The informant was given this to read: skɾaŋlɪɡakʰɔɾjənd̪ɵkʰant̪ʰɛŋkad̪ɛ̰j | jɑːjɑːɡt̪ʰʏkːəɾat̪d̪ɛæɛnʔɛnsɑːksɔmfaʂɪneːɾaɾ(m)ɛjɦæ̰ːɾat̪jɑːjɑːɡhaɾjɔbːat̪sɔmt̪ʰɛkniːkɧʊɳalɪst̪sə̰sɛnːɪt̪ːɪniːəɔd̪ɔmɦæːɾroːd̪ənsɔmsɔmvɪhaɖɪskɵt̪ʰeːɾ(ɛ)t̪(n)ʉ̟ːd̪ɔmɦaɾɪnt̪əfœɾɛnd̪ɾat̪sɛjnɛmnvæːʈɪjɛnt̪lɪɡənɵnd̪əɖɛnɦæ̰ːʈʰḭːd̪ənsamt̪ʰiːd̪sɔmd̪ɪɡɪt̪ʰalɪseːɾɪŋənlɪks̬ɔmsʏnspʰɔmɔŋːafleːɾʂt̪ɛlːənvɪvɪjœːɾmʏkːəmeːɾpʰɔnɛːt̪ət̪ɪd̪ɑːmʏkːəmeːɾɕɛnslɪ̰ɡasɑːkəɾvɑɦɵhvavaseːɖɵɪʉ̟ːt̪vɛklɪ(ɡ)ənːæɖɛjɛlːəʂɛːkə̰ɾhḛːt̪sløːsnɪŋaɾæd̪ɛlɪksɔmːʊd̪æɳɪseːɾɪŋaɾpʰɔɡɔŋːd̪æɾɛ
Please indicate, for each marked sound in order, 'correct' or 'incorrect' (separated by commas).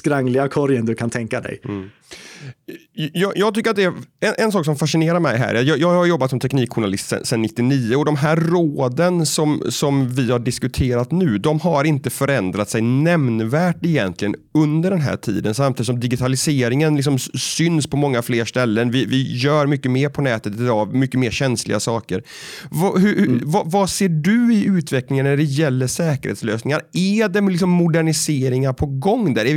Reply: correct, incorrect, correct, incorrect